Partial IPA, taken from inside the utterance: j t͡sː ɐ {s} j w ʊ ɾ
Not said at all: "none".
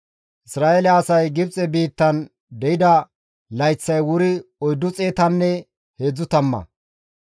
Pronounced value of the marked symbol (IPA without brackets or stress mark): none